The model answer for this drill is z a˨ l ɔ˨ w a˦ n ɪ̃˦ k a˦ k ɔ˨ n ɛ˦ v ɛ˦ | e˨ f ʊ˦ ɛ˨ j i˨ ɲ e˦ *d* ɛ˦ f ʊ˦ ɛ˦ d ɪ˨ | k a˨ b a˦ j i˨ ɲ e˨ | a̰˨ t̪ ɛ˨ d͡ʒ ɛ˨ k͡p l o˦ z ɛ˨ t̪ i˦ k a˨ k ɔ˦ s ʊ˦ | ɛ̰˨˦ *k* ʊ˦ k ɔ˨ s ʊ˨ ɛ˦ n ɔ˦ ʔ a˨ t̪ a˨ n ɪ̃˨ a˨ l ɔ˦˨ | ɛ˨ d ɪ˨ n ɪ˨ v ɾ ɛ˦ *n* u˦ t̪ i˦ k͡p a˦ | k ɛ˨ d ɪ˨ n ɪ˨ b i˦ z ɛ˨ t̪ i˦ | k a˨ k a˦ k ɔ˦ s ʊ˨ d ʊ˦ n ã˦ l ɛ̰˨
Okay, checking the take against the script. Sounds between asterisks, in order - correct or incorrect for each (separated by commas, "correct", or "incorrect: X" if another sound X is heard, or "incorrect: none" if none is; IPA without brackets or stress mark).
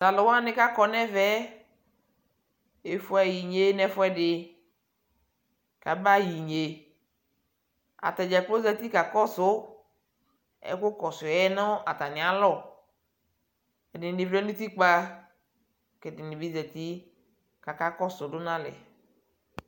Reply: incorrect: n, correct, correct